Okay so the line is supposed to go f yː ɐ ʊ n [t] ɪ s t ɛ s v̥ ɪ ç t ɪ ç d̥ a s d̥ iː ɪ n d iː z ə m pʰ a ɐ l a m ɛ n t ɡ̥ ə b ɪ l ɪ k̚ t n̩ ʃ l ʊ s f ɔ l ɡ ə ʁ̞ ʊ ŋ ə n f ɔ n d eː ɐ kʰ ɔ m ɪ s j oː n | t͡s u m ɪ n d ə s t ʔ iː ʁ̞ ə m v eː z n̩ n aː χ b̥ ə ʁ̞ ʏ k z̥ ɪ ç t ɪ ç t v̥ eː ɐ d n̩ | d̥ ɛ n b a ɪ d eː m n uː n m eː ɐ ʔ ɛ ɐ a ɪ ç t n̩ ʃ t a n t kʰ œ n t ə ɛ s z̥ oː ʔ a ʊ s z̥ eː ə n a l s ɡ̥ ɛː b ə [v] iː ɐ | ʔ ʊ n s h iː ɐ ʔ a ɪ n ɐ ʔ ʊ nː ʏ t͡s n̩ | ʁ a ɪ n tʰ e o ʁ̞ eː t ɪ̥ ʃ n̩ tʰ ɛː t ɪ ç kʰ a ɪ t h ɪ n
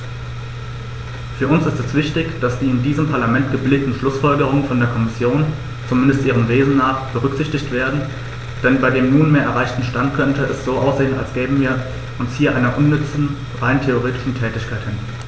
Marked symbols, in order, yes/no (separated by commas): no, yes